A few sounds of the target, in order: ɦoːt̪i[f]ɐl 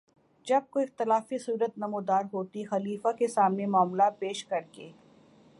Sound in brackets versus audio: incorrect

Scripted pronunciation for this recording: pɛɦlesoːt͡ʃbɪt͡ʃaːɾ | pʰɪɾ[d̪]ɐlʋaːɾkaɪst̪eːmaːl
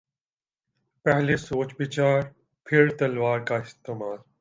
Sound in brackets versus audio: incorrect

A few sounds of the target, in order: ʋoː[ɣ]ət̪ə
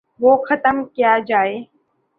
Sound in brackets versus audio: incorrect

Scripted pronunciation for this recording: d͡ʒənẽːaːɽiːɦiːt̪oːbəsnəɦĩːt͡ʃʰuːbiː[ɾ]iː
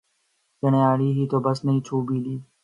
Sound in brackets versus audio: incorrect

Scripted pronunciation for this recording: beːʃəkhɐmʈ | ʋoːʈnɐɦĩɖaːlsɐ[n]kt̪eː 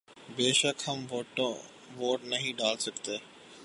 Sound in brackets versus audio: incorrect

